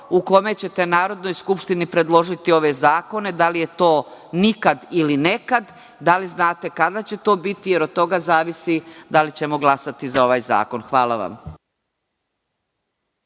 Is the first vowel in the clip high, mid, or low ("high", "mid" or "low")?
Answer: high